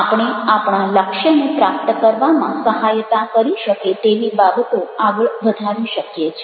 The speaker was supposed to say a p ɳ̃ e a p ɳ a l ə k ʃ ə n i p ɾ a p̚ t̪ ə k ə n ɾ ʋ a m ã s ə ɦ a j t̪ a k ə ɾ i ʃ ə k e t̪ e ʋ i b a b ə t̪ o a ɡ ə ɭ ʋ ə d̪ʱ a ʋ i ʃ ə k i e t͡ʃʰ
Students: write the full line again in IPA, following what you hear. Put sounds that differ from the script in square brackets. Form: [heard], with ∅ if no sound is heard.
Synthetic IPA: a p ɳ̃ e a p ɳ a l ə k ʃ ə n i p ɾ a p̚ t̪ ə k ə [∅] ɾ ʋ a m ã s ə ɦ a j t̪ a k ə ɾ i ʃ ə k e t̪ e ʋ i b a b ə t̪ o a ɡ ə ɭ ʋ ə d̪ʱ a ʋ i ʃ ə k [j] e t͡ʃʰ

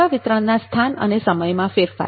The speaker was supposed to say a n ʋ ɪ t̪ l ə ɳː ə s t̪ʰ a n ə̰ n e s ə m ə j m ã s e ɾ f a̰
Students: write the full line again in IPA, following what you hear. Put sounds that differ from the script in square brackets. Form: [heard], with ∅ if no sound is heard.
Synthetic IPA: a [∅] ʋ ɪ t̪ [ɾ] ə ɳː [a] s t̪ʰ a n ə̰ n e s ə m ə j m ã [f] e ɾ f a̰

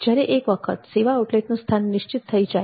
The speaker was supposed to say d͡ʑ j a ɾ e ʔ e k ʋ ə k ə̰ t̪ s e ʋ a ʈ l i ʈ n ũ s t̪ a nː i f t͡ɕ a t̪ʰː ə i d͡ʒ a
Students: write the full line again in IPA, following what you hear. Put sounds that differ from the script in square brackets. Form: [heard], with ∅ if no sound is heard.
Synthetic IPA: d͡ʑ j a ɾ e ʔ e k ʋ ə [kʰ] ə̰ t̪ s e ʋ a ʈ l [e] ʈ n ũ s [t̪ʰ] a nː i [ʃ] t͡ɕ [i] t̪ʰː ə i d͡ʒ a

